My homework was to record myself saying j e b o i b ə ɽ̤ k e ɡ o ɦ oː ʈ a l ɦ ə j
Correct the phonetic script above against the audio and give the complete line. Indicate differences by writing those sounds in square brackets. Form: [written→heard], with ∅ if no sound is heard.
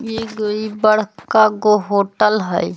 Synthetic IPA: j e [b→ɡ] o i b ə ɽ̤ k [e→a] ɡ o ɦ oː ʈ [a→ə] l ɦ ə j